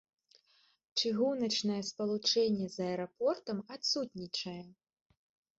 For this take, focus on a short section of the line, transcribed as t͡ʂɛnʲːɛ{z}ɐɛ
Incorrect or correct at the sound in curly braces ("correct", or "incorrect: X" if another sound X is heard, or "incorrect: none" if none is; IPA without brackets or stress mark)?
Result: correct